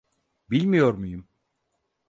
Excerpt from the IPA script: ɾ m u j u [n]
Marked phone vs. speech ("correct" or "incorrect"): incorrect